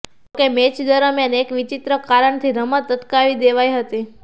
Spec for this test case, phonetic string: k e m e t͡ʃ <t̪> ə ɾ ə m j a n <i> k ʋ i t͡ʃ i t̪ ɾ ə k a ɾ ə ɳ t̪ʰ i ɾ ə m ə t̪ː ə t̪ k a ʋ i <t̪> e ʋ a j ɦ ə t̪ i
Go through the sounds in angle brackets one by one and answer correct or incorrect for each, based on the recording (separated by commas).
incorrect, incorrect, incorrect